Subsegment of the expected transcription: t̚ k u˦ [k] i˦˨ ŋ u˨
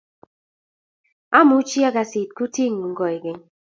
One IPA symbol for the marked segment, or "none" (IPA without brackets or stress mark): t